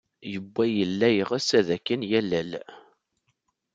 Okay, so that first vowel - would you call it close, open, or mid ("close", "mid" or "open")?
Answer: mid